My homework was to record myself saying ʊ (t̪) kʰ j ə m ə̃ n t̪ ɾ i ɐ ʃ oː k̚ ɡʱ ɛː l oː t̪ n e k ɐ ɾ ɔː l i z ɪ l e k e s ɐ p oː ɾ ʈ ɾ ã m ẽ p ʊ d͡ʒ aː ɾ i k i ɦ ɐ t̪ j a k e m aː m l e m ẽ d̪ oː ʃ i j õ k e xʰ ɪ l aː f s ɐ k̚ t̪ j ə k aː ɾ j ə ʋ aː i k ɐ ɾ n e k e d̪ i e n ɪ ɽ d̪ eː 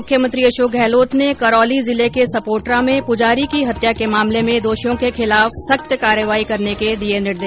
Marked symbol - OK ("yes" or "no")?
no